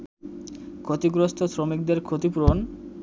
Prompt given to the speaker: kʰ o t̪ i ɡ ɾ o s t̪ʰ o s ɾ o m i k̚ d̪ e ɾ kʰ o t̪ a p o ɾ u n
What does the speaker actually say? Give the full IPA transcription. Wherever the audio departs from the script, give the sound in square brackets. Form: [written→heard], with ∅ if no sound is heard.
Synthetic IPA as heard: kʰ o t̪ i ɡ ɾ o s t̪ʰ o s ɾ o m i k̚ d̪ e ɾ kʰ o t̪ [a→i] p [o→u] ɾ [u→o] n